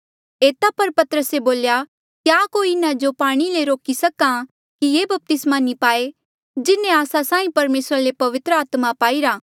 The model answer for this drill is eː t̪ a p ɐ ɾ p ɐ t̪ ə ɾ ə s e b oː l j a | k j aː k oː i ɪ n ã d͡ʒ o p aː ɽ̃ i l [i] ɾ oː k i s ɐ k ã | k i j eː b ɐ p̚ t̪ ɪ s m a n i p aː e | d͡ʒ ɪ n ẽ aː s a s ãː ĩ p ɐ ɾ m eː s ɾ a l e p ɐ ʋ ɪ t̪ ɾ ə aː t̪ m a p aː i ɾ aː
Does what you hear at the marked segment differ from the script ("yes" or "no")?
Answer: yes